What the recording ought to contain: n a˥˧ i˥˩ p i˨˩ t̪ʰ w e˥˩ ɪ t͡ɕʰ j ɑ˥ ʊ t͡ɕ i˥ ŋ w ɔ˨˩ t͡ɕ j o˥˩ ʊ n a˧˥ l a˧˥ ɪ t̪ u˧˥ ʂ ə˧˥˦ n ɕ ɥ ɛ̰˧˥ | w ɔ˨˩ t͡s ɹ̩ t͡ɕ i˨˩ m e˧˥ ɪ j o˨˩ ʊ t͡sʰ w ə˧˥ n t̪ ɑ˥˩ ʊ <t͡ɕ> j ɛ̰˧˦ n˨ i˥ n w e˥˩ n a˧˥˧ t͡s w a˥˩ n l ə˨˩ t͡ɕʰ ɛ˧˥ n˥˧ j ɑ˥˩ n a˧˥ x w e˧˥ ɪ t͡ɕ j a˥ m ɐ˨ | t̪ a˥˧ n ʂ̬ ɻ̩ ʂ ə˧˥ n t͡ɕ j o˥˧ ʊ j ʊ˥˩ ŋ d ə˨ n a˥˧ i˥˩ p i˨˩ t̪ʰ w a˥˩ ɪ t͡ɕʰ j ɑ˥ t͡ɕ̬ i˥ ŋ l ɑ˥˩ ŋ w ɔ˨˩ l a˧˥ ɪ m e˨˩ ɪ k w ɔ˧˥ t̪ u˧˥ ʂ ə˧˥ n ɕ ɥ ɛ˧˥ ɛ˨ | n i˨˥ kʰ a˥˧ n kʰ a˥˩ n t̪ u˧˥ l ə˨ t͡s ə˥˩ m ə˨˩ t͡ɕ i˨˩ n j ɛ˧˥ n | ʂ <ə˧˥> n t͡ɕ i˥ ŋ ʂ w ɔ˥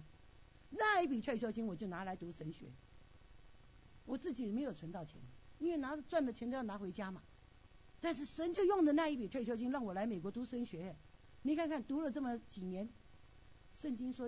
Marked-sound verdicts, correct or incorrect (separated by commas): incorrect, incorrect